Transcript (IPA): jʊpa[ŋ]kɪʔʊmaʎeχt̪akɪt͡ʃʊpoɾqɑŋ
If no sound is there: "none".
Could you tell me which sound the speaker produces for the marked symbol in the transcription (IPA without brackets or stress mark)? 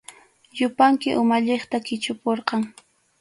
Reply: ŋ